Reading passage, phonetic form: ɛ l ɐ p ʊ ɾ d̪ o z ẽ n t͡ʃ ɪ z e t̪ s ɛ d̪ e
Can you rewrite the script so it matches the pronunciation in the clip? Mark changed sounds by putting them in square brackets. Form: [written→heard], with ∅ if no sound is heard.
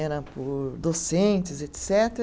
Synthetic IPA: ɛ [l→ɾ] ɐ p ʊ ɾ d̪ o [z→s] ẽ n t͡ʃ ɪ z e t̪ s ɛ [d̪→t̪] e